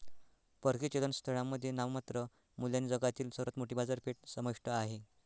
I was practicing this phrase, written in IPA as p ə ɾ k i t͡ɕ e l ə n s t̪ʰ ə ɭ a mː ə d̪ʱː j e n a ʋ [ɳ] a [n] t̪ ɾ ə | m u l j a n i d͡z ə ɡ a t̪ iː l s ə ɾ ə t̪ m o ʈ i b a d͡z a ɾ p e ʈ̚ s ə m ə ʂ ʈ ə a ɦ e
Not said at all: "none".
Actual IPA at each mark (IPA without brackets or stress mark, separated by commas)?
m, none